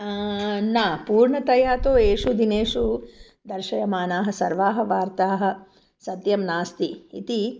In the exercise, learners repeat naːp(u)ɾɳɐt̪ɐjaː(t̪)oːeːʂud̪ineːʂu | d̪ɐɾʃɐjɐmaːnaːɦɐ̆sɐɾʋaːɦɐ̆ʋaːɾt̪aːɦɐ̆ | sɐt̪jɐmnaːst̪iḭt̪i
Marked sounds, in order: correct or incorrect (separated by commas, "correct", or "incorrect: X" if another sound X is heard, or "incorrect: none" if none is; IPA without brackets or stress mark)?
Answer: incorrect: uː, correct